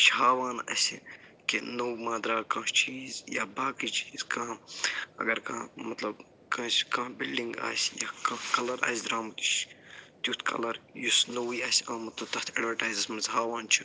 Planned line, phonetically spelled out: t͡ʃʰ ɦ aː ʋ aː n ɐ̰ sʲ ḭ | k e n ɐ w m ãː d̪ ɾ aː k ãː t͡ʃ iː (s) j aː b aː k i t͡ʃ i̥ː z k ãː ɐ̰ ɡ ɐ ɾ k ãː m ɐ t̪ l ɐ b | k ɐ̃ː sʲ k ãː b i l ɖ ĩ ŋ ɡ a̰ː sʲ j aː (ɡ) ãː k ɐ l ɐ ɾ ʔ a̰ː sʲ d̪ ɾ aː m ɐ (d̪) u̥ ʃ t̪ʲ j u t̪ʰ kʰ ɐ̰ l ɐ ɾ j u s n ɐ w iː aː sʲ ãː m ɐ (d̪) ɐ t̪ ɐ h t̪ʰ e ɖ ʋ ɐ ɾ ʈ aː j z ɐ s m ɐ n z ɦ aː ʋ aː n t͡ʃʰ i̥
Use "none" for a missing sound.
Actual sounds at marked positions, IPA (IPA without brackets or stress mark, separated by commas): z, k, t̪, t̪